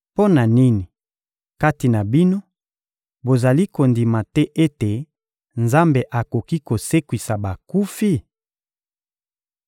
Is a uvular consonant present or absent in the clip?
absent